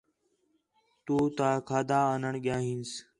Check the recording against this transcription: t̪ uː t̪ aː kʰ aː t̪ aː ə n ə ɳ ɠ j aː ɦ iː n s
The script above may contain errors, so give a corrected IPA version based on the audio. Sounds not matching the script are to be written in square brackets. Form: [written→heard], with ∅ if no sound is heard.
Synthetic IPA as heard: t̪ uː t̪ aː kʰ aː [t̪→d̪] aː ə n ə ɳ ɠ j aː ɦ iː n s